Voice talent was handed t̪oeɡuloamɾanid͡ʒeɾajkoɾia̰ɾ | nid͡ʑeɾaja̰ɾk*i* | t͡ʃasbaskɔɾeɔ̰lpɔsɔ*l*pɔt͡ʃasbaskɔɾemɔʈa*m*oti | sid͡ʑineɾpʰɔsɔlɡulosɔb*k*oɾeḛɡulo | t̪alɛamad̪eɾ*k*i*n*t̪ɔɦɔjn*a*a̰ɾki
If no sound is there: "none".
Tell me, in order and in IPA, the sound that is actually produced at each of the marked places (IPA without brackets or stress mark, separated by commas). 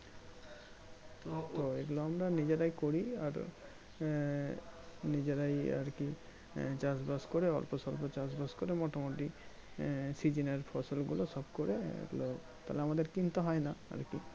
i, l, m, k, k, n, a